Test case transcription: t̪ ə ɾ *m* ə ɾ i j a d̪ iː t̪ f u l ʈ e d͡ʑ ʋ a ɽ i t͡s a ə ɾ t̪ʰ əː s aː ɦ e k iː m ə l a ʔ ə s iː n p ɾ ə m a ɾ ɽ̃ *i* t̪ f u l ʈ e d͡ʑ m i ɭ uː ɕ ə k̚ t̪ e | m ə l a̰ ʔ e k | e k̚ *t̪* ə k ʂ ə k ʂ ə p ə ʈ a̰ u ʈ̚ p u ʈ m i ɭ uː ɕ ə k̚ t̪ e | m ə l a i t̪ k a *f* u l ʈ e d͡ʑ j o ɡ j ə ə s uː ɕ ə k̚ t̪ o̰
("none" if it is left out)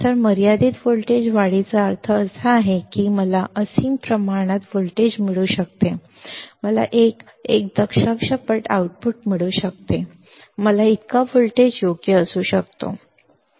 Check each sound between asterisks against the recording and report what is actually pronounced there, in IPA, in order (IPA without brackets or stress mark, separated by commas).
m, a, d̪, f